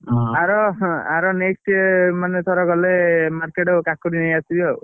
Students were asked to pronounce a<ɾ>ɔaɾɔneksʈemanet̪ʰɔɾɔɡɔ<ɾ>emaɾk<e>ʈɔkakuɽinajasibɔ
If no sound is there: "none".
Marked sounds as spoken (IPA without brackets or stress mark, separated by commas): ɾ, l, e